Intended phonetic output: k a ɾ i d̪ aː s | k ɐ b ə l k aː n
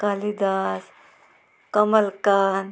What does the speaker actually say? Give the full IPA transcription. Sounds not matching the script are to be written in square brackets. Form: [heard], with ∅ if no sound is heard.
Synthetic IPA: k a [l] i d̪ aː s | k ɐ [m] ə l k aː n